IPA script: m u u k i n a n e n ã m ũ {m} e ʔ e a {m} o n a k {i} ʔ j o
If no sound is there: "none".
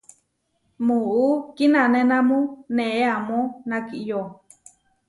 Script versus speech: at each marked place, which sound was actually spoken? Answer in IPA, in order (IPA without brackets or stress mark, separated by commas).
n, m, i